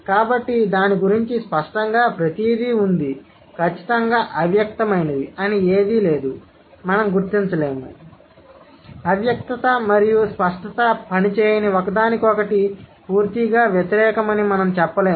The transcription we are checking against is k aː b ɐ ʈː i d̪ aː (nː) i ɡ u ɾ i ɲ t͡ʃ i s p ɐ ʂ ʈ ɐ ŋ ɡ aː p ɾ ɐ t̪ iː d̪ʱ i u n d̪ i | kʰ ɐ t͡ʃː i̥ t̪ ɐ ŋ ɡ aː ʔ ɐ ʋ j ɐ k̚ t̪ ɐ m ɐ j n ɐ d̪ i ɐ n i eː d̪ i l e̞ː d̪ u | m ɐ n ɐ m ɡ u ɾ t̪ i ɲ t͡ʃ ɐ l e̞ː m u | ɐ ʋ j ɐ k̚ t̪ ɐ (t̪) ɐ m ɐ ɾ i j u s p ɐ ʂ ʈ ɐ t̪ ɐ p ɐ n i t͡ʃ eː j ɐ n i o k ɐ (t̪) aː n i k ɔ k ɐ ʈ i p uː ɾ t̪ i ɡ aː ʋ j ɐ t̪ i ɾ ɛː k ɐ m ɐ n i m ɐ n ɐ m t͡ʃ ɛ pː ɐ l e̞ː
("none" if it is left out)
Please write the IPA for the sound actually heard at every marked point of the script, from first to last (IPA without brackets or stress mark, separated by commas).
n, t̪, d̪